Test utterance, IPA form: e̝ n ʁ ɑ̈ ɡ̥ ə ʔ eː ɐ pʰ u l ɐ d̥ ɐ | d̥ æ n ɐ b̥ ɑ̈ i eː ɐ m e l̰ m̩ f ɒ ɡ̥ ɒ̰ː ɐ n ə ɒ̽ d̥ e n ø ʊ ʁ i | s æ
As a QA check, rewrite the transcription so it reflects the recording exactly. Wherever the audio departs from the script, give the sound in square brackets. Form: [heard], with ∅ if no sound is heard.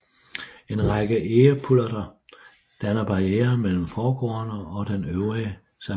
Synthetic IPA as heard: e̝ n ʁ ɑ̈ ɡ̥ ə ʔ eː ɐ pʰ u l ɐ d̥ ɐ | d̥ æ n ɐ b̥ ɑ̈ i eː ɐ m e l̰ m̩ f [ɒː] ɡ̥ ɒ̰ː ɐ n ə ɒ̽ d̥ e n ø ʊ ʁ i | s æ